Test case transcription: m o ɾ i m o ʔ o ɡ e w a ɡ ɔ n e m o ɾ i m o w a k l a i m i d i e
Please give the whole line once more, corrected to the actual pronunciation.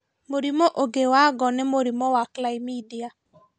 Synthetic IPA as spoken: m o ɾ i m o ʔ o ɡ e w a ɡ ɔ n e m o ɾ i m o w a k l a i m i d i a

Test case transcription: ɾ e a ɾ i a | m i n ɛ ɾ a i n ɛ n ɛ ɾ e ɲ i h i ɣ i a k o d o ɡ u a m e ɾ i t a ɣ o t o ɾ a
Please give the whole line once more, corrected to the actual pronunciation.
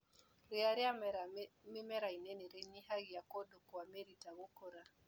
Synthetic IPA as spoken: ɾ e a ɾ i a | m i m ɛ ɾ a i n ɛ n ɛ ɾ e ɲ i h a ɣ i a k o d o k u a m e ɾ i t a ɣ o k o ɾ a

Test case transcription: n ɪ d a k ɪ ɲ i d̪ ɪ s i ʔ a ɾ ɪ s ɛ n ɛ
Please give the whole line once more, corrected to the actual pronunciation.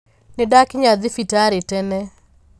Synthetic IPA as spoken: n ɪ d a k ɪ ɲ a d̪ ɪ f i t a ɾ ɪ t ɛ n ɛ

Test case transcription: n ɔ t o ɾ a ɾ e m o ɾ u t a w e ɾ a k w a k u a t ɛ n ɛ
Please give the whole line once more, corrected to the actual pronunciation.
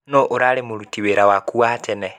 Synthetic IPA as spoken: n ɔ ʔ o ɾ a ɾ e m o ɾ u t i w e ɾ a w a k u a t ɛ n ɛ

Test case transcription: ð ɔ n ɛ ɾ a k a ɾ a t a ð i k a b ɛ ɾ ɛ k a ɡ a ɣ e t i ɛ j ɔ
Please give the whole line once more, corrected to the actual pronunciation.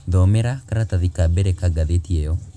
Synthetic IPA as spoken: ð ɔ m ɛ ɾ a k a ɾ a t a ð i k a b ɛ ɾ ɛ k a ɡ a ð e t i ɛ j ɔ

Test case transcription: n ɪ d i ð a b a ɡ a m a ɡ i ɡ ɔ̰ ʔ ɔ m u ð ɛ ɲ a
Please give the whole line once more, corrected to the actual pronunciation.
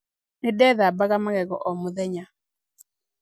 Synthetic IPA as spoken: n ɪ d ɛ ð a b a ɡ a m a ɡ ɛ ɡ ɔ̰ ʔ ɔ m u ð ɛ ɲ a

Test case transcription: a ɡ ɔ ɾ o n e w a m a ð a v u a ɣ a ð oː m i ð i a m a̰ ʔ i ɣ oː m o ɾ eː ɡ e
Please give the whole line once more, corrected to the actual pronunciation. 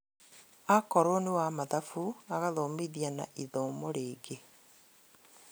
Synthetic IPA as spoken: a k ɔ ɾ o n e w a m a ð a f u a ɣ a ð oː m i ð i a n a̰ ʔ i ð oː m o ɾ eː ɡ e

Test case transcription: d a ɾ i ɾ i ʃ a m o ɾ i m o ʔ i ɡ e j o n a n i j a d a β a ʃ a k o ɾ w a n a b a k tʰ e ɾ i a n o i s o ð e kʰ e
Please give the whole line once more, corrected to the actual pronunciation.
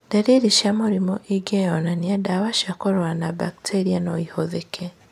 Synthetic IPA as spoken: d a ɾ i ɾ i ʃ a m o ɾ i m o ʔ i ɡ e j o n a n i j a d a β a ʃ a k o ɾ w a n a b a k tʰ e ɾ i a n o i h o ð e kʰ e

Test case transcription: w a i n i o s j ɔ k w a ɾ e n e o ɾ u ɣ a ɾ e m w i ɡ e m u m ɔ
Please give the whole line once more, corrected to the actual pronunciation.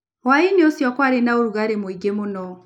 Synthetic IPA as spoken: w a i n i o s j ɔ k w a ɾ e n a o ɾ u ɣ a ɾ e m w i ɡ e m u n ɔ

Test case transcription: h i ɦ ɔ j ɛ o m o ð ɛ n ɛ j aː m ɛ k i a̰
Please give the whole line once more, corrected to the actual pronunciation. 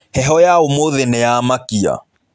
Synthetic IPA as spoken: h ɛ ɦ ɔ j a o m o ð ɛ n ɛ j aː m a k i a̰

